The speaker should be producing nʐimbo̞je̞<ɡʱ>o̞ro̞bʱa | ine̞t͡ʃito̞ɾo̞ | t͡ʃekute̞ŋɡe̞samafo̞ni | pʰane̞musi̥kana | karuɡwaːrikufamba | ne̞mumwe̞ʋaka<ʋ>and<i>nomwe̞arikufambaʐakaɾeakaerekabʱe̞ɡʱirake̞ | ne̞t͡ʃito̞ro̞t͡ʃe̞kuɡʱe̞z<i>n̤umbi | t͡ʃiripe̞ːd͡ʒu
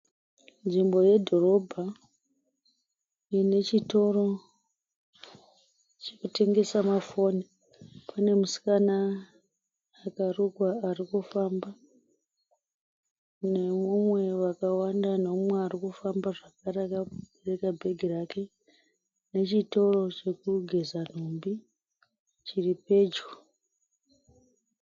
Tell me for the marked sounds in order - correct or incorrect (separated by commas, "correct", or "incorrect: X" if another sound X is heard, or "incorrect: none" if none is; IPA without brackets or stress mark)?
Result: incorrect: dʱ, incorrect: w, incorrect: a, incorrect: a